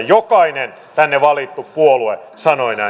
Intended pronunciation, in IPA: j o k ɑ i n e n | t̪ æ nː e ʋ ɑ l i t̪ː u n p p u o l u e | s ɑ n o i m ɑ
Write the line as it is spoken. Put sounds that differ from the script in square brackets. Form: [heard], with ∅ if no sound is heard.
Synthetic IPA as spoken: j o k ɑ i n e n | t̪ æ nː e ʋ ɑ l i t̪ː u [∅] p p u o l u e | s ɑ n o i [n] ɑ